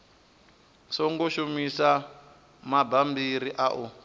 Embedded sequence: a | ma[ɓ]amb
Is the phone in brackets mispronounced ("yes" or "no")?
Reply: yes